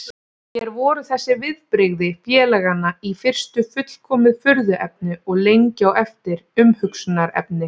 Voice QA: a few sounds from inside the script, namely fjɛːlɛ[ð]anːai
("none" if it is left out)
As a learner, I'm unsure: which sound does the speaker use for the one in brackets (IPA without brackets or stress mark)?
ɣ